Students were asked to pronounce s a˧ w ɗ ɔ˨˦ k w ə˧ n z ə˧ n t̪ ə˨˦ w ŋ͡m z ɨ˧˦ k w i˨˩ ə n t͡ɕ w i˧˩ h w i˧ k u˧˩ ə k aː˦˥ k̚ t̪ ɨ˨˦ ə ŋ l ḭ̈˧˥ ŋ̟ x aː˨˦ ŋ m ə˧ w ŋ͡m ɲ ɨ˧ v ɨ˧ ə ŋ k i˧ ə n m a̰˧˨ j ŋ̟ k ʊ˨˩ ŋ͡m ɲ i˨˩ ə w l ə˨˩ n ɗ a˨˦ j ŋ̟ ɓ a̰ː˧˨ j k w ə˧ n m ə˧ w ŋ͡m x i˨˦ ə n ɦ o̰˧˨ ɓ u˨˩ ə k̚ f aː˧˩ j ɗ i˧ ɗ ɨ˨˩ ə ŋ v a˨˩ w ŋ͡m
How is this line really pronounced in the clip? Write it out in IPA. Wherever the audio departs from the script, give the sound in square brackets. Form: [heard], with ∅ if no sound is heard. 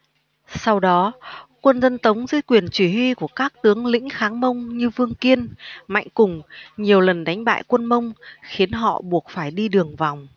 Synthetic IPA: s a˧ w ɗ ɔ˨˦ k w ə˧ n z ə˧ n t̪ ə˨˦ w ŋ͡m z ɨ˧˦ k w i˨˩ ə n t͡ɕ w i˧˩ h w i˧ k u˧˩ ə k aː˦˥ k̚ t̪ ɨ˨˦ ə ŋ l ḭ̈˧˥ ŋ̟ x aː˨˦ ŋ m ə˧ w ŋ͡m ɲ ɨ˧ v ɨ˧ ə ŋ k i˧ ə n m a̰˧˨ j ŋ̟ k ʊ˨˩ ŋ͡m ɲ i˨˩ ə w l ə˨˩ n ɗ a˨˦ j ŋ̟ ɓ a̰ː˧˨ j k w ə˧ n m ə˧ w ŋ͡m x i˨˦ ə n ɦ [ɔ̰˧˨] ɓ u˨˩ ə k̚ f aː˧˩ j ɗ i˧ ɗ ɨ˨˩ ə ŋ v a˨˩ w ŋ͡m